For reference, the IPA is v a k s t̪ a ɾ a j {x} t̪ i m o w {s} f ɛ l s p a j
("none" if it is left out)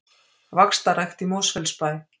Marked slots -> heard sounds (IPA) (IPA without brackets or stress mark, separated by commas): x, s